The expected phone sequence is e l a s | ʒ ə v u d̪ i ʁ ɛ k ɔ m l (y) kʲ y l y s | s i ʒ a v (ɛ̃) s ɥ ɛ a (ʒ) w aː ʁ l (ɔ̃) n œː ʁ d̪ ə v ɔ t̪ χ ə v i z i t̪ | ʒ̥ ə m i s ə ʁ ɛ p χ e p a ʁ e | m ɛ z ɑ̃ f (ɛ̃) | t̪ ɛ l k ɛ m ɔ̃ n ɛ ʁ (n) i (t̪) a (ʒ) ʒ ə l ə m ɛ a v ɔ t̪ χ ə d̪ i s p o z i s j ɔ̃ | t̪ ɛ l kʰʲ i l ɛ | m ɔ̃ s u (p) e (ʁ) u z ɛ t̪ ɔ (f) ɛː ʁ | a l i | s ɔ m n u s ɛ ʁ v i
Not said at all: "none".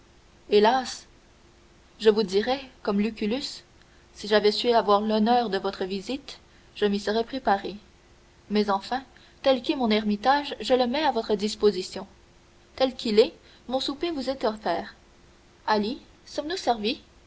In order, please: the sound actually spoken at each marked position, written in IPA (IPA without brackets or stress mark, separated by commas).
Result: y, ɛ, v, ɔ, ɛ̃, m, t̪, ʒ, p, v, f